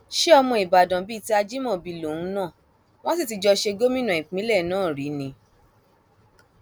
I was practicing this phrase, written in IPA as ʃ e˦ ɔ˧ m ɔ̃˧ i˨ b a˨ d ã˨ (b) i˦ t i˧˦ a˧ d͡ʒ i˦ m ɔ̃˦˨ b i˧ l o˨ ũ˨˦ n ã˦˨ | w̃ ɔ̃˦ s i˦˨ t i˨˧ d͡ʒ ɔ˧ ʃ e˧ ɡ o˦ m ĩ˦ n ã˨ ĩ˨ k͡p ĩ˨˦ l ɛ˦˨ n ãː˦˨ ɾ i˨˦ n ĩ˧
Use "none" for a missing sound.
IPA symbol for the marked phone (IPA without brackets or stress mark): b